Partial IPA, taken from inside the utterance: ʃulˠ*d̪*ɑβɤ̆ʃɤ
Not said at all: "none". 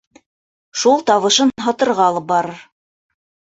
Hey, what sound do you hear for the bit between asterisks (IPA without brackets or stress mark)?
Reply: t̪